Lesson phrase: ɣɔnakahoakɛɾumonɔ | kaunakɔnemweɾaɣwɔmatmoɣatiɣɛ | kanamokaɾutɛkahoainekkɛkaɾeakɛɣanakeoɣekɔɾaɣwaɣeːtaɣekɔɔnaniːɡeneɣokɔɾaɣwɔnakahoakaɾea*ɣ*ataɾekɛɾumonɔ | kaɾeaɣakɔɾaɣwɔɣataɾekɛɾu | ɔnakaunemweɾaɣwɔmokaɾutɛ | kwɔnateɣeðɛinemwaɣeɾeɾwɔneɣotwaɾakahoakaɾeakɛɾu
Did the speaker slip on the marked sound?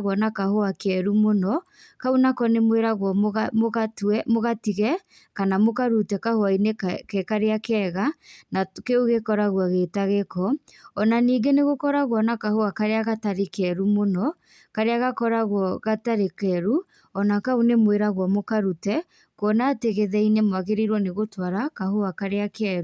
no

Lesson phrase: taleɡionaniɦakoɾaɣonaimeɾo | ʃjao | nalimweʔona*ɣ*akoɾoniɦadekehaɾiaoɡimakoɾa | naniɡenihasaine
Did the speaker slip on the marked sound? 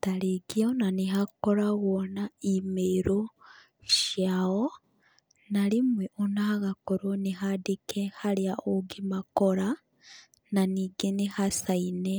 no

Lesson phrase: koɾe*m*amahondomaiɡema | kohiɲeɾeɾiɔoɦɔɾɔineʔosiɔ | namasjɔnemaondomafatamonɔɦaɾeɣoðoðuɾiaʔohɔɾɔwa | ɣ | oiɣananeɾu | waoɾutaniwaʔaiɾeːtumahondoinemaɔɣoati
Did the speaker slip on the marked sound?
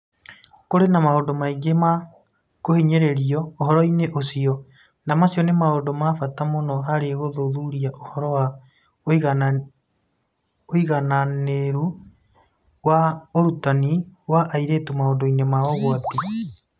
yes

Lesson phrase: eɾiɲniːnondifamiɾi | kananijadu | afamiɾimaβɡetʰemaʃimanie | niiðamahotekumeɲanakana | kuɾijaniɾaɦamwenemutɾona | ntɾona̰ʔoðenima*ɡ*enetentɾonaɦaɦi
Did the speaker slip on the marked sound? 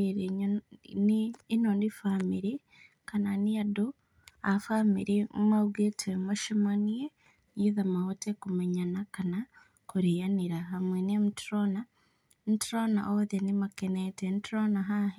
yes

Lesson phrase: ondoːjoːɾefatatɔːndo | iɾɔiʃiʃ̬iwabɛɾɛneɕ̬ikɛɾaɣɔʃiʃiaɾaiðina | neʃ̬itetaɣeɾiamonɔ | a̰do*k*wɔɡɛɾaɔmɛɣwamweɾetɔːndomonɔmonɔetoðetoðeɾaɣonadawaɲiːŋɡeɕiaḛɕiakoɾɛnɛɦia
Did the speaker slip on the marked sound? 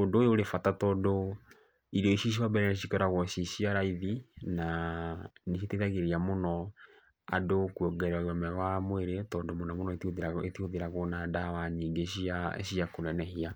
no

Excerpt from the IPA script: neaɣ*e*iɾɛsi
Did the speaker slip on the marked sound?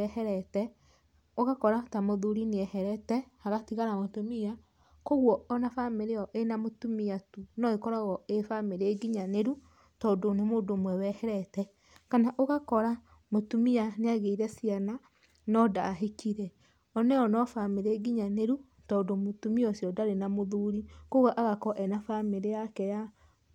no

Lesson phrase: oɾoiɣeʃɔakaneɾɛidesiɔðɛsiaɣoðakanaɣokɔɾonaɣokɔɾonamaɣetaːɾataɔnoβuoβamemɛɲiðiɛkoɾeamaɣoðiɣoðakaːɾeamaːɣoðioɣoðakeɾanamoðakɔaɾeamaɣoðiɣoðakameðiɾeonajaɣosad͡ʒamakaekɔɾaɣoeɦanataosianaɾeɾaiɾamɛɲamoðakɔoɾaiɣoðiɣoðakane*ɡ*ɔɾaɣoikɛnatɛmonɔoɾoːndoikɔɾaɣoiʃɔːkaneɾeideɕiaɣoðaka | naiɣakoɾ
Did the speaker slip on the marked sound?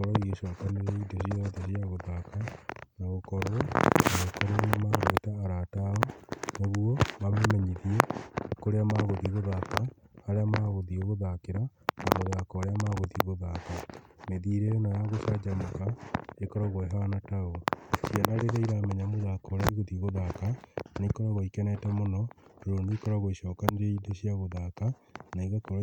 yes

